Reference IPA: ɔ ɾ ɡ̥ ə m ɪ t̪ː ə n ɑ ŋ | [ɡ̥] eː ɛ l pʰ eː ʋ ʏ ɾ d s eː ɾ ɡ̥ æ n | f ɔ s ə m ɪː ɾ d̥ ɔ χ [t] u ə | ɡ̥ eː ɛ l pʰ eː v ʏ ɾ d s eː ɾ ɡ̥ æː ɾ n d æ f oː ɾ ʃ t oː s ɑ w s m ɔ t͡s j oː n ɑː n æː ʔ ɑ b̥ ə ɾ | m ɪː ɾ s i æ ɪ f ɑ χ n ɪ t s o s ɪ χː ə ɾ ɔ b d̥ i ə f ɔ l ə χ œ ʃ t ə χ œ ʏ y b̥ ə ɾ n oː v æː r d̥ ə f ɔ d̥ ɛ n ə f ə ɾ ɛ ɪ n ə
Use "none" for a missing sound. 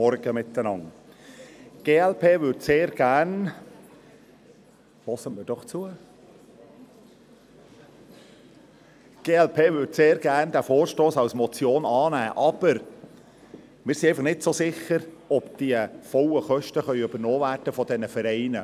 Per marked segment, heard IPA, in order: ɡ̥, t͡s

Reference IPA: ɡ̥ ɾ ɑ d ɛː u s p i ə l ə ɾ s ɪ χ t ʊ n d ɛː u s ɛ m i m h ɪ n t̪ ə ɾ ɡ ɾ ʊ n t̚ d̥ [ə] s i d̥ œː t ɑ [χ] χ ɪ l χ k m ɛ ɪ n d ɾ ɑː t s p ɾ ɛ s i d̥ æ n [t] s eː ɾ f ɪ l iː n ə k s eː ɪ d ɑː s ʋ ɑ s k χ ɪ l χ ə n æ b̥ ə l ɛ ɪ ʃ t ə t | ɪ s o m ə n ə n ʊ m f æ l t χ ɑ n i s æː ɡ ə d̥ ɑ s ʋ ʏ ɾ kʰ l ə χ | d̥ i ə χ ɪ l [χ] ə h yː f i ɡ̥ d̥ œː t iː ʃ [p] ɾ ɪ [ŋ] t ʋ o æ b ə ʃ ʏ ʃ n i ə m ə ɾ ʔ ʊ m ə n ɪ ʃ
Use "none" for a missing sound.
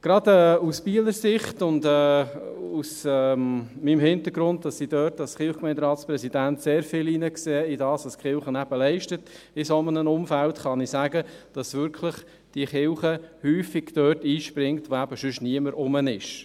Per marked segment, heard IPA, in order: ɑ, s, t, χ, p, ŋ

